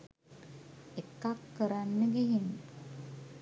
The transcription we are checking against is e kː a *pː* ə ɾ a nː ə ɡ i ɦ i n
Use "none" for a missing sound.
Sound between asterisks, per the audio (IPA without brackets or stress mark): kː